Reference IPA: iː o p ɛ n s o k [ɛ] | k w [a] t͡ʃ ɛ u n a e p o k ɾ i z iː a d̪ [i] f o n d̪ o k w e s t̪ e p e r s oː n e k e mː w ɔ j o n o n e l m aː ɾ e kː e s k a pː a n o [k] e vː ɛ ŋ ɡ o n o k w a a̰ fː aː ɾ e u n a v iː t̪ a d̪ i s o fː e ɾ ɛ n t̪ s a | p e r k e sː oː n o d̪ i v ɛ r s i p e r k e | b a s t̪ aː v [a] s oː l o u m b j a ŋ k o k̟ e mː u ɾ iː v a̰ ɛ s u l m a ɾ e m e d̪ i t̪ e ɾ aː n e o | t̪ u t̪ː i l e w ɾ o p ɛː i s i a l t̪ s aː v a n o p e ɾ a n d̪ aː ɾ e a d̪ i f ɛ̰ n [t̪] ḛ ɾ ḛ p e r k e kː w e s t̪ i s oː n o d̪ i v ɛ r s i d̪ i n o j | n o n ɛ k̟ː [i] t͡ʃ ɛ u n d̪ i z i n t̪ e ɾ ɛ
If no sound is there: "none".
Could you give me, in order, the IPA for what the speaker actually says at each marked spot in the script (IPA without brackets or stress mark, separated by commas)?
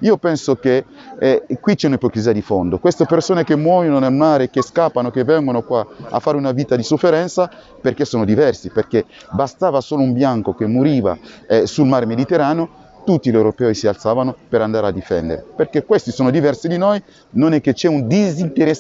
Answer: e, i, i, k, a, d̪, e